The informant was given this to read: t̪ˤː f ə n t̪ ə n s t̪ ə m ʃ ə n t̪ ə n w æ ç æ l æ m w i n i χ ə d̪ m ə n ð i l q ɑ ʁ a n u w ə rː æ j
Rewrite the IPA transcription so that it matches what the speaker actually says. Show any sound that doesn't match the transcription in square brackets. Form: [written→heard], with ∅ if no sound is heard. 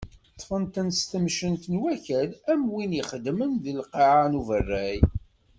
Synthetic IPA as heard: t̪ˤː f ə n t̪ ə n s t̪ ə m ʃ ə n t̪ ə n w æ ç æ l æ m w i n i χ ə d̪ m ə n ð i l q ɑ [ʁ→ʕ] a n u [w→v] ə rː æ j